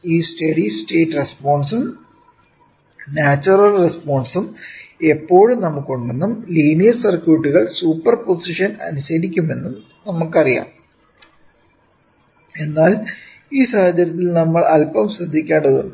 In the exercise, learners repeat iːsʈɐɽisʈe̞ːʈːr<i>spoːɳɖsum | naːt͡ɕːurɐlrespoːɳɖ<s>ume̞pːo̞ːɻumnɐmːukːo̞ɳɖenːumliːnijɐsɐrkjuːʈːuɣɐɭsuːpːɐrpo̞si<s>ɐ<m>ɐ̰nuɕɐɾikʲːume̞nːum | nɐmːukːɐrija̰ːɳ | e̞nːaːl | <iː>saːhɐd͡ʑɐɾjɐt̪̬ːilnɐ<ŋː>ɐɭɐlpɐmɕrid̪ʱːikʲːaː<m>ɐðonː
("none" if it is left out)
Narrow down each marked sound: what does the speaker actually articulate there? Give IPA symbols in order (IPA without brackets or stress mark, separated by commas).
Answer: e, s, ʂ, n, iː, mː, ɳ